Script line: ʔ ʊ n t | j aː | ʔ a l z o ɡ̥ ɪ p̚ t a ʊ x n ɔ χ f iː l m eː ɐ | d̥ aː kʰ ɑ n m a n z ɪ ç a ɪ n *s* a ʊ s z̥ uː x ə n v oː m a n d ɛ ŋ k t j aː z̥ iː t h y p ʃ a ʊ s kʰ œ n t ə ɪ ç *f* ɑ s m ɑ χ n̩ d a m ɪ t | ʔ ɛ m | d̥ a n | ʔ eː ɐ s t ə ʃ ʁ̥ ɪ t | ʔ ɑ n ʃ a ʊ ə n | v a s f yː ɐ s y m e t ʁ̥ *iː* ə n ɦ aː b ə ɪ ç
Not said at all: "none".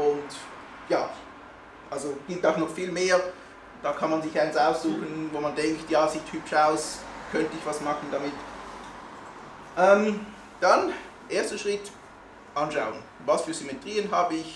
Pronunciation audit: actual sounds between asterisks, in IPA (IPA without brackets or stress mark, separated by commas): s, v, iː